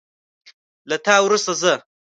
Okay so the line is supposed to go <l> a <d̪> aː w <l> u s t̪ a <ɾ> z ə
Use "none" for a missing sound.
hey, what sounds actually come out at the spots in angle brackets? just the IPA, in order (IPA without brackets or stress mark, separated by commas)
l, t̪, ɾ, none